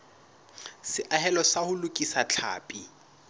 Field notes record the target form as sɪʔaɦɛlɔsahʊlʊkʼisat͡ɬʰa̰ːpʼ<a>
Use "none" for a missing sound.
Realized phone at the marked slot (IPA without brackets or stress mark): i